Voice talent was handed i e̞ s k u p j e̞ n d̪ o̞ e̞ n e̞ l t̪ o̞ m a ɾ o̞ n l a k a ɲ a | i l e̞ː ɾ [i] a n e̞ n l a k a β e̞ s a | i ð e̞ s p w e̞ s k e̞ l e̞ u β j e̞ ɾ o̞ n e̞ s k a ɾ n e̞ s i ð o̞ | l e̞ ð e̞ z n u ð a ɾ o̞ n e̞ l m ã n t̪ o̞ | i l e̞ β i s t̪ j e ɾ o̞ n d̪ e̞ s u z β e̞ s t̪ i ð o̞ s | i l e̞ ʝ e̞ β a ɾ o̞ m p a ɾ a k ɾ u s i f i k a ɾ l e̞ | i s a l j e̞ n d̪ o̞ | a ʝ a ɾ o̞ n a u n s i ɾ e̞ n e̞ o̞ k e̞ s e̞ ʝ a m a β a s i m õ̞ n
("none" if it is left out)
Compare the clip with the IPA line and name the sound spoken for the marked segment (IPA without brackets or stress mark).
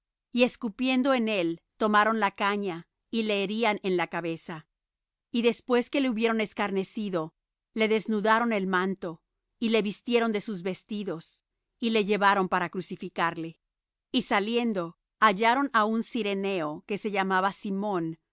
i